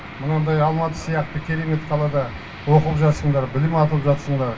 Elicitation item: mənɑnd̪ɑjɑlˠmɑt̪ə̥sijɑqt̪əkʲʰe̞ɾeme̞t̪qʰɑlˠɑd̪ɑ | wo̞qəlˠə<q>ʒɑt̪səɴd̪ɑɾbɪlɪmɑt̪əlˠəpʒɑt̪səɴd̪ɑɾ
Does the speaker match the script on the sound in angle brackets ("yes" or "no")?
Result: no